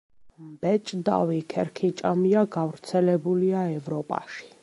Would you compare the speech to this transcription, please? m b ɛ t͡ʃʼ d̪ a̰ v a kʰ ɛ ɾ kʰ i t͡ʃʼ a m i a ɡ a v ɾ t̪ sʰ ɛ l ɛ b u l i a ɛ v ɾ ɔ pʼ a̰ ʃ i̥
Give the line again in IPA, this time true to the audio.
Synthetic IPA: m b ɛ t͡ʃʼ d̪ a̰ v i kʰ ɛ ɾ kʰ i t͡ʃʼ a m i a ɡ a v ɾ t̪ sʰ ɛ l ɛ b u l i a ɛ v ɾ ɔ pʼ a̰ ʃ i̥